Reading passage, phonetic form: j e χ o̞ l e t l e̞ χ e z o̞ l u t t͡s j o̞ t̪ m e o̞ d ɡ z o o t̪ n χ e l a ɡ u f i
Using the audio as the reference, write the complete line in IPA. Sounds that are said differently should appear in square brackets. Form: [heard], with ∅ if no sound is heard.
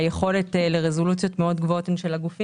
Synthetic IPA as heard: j e χ o̞ l e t l e̞ [ʁ] e z o̞ l u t t͡s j o̞ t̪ m e o̞ d ɡ [v] o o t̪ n [ʃ] e l a ɡ u f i